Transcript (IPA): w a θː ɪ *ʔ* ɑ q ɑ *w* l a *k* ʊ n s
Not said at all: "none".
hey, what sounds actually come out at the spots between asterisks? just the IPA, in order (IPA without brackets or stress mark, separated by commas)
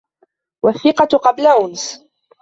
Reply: q, b, ʔ